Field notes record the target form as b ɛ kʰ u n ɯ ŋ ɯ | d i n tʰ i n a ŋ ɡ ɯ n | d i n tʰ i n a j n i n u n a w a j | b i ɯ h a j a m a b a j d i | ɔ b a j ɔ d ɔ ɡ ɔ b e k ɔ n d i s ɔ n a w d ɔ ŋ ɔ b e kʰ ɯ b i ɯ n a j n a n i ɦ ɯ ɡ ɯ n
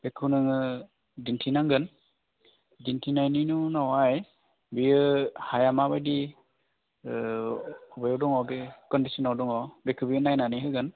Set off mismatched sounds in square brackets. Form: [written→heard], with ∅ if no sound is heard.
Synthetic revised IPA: b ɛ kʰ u n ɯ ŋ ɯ | d i n tʰ i n a ŋ ɡ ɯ n | d i n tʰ i n a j n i n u n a w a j | b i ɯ h a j a m a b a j d i | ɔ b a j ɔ d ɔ [ɡ→ŋ] ɔ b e k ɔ n d i s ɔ n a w d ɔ ŋ ɔ b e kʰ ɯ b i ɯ n a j n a n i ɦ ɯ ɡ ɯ n